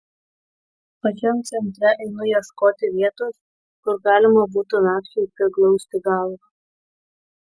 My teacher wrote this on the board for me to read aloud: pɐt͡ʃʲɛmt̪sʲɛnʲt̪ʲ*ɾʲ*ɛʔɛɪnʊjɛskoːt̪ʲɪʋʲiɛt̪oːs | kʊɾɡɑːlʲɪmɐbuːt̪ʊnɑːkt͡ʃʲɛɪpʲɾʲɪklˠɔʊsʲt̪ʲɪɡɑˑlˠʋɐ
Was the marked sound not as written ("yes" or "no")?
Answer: no